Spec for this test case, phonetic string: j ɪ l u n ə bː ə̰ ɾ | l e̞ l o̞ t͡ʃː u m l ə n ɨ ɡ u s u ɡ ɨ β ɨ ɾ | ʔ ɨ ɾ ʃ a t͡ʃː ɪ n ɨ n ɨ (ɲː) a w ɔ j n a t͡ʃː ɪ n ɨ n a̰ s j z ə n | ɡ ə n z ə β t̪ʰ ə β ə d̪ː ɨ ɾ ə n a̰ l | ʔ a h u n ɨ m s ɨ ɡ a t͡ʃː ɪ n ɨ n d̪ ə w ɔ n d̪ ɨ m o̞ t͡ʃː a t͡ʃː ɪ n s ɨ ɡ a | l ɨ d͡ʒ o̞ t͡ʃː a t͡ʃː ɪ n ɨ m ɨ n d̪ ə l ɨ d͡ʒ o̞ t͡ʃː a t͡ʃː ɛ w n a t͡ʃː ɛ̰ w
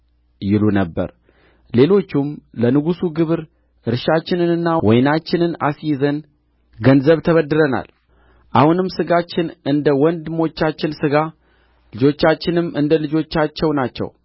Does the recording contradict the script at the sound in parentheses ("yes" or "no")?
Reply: yes